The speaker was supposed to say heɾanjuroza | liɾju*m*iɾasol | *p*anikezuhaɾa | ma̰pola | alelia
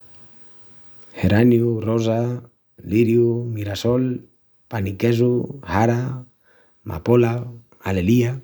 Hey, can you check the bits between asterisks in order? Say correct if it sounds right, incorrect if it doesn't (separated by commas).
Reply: correct, correct